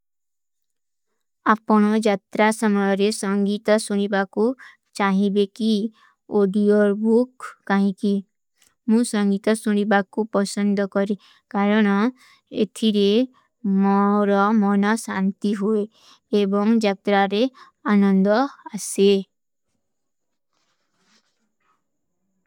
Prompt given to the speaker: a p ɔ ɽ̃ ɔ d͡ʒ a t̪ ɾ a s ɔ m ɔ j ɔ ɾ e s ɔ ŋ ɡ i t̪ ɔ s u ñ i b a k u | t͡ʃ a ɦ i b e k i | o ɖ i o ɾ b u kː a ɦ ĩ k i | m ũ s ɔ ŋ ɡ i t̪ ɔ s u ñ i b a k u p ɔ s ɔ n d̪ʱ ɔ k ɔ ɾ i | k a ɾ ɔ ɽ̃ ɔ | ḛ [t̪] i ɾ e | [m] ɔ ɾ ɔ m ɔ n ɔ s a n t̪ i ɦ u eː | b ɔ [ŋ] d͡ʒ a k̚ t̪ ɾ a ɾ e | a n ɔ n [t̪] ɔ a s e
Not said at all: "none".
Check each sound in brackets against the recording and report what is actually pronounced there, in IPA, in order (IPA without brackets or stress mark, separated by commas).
t̪ʰ, m, ŋ, d̪